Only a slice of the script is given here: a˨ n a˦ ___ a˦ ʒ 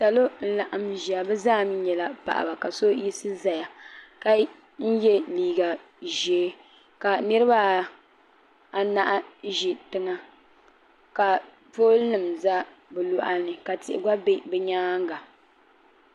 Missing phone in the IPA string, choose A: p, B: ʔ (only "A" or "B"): B